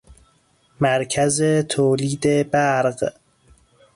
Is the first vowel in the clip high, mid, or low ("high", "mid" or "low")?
low